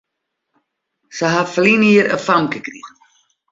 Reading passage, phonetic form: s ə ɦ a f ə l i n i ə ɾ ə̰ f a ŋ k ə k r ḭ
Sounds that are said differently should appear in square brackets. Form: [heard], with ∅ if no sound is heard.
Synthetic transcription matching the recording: s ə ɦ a f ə l i n i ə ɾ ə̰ f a [m] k ə k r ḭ